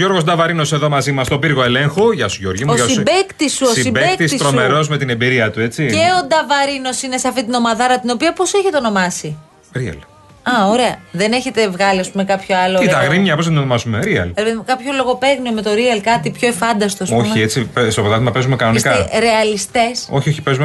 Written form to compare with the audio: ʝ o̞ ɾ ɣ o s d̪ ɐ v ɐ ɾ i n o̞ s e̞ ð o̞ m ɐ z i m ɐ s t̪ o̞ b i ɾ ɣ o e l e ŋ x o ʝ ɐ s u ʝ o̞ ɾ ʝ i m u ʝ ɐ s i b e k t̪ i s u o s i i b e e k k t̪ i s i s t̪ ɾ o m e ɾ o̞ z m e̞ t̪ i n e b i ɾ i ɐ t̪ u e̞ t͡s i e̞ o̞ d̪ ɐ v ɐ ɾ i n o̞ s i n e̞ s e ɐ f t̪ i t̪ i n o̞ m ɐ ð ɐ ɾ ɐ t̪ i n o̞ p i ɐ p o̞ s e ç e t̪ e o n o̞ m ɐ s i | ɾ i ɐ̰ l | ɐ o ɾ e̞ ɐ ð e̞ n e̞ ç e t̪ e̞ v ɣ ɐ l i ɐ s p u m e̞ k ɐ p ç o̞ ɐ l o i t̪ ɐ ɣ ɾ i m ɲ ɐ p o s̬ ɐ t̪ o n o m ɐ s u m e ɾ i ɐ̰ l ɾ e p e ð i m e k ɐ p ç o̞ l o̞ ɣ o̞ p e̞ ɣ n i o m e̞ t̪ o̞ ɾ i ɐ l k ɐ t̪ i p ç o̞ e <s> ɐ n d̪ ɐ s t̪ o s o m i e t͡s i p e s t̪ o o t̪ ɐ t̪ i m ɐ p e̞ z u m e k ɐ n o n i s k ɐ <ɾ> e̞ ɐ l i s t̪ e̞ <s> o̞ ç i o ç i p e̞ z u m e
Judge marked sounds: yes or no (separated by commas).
no, yes, yes